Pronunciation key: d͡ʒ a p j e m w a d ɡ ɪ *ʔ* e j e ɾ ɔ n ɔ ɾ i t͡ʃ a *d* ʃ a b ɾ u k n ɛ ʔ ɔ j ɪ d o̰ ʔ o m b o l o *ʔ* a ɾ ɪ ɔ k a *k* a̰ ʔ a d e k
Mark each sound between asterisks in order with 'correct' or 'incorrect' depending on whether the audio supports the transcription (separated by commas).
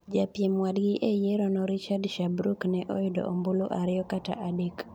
correct, correct, correct, incorrect